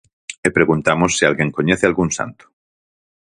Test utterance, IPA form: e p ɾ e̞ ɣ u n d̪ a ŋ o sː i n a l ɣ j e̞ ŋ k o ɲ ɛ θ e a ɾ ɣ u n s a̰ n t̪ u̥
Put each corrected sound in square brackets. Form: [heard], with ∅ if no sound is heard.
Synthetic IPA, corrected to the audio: e p ɾ e̞ ɣ u n [t̪] a [m] o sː i [∅] a l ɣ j e̞ ŋ k o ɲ [e] θ e a [l] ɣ u n s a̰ n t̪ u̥